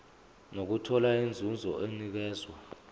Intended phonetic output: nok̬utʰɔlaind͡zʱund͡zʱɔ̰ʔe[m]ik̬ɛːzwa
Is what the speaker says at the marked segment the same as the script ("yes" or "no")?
no